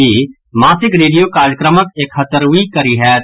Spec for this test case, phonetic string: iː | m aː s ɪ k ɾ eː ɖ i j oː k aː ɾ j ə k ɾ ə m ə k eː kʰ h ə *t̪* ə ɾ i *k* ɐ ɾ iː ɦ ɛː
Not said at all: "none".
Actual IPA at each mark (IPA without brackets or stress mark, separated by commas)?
t̪, k